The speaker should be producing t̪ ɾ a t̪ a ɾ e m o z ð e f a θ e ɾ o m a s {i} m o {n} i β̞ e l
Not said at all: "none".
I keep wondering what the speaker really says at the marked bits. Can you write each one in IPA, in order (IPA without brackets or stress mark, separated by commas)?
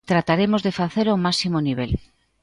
i, n